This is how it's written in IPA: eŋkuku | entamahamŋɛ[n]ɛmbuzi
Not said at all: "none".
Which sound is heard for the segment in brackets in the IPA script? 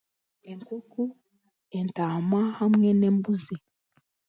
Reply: n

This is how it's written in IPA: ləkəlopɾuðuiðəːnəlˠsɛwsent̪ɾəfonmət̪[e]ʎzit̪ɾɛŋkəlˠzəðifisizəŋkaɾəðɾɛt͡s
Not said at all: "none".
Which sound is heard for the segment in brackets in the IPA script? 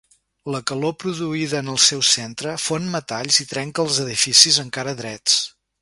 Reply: a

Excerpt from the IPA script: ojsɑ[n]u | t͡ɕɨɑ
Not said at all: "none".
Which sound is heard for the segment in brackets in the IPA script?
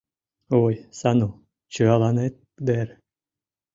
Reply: n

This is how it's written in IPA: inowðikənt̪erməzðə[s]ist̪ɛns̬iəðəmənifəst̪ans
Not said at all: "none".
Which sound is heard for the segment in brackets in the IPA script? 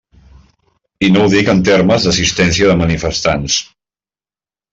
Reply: s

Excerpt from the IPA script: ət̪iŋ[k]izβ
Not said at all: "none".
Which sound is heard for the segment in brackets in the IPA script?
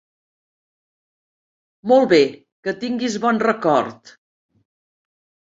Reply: ɡ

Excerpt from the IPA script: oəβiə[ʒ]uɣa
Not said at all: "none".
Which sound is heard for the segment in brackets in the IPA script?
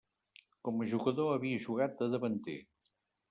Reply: ʒ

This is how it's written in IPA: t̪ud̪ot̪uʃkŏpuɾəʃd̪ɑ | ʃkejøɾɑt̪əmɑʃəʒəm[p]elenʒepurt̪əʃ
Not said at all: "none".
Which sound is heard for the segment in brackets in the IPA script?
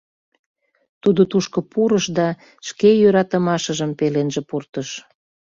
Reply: p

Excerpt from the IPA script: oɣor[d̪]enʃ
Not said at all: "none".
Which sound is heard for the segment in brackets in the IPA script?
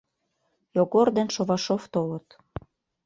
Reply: d̪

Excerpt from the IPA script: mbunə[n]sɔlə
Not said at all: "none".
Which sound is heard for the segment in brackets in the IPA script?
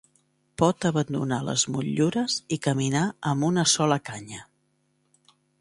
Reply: none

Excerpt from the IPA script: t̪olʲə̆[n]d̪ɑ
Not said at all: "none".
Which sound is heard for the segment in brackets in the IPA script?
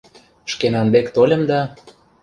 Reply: m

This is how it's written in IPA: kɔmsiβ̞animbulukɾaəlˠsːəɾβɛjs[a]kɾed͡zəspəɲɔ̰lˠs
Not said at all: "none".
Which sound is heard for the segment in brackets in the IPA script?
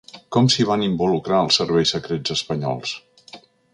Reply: ə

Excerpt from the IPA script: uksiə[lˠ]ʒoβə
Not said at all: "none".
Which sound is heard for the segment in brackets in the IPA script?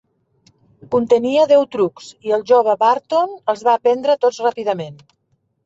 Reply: lˠ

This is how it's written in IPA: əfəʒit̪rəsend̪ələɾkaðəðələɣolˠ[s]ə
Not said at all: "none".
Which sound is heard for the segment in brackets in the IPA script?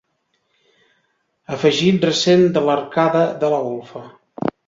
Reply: f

